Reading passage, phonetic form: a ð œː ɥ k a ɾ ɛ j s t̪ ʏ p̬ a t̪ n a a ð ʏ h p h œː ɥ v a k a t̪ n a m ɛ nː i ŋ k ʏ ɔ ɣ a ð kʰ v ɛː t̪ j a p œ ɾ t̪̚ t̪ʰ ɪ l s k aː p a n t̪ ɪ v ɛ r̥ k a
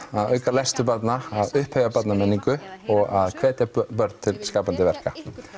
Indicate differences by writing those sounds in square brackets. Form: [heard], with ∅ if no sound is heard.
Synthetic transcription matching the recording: a ð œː ɥ k a [l] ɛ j s t̪ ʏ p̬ a t̪ n a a ð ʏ h p h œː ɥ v a [p] a t̪ n a m ɛ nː i ŋ k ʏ ɔ ɣ a ð kʰ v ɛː t̪ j a p œ ɾ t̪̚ t̪ʰ ɪ l s k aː p a n t̪ ɪ v ɛ r̥ k a